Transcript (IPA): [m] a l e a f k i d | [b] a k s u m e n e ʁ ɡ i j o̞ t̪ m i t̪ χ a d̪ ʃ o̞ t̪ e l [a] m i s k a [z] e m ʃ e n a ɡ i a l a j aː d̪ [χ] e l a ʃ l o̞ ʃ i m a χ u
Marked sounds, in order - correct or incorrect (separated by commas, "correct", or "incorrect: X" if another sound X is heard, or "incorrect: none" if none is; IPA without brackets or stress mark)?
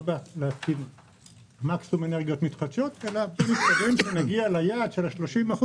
incorrect: b, incorrect: m, correct, incorrect: v, incorrect: ʃ